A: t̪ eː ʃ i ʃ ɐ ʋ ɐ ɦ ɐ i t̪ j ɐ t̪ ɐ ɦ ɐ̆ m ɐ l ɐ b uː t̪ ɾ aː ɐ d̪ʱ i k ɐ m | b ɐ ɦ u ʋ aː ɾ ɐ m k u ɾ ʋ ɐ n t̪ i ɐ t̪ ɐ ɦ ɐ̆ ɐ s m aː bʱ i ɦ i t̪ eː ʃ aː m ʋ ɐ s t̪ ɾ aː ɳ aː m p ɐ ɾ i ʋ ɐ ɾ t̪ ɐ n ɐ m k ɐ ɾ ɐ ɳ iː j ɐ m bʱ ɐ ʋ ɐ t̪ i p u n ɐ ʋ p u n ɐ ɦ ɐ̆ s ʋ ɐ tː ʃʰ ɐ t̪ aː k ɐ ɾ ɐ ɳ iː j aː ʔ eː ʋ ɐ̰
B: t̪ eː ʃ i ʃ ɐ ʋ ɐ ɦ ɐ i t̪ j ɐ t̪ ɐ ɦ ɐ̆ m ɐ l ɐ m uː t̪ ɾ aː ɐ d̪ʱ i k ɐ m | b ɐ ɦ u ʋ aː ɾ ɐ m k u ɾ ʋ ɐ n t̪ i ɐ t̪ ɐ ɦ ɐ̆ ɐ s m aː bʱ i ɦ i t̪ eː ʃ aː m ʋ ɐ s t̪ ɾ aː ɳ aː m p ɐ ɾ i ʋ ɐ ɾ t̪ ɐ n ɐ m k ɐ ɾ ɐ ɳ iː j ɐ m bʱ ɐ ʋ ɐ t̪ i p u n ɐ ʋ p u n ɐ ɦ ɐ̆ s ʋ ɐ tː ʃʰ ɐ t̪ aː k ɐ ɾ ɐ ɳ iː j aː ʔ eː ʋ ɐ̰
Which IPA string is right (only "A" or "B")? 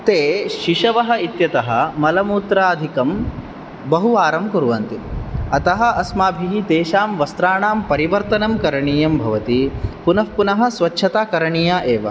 B